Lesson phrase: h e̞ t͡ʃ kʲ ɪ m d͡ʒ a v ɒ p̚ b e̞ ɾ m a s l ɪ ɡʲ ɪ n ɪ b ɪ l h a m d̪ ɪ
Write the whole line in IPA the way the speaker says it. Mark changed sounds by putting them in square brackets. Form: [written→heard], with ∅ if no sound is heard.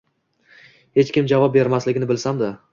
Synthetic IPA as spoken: h e̞ t͡ʃ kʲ ɪ m d͡ʒ a v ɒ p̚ b e̞ ɾ m a s l ɪ ɡʲ ɪ n ɪ b ɪ l [h→s] a m d̪ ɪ